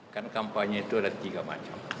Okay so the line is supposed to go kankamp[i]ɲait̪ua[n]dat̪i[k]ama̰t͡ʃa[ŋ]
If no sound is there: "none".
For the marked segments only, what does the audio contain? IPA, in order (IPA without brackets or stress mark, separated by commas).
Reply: a, none, ɡ, m